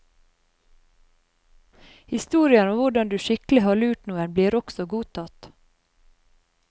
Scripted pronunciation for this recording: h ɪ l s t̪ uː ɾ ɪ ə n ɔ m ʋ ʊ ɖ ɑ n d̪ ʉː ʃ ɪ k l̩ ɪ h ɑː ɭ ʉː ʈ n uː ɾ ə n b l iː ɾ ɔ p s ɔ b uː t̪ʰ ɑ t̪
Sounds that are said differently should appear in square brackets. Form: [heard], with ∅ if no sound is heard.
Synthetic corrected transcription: h ɪ [∅] s t̪ uː ɾ ɪ ə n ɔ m ʋ ʊ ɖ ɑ n d̪ ʉː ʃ ɪ k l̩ ɪ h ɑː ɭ ʉː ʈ n uː [∅] ə n b l iː ɾ ɔ [k] s ɔ [ɡ] uː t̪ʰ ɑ t̪